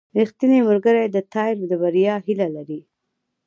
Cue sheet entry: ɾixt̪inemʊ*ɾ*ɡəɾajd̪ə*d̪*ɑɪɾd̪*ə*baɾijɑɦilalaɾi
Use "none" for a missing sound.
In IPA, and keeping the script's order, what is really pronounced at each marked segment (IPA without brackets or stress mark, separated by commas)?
ɾ, t̪, ə